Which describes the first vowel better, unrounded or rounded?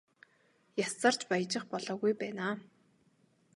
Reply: unrounded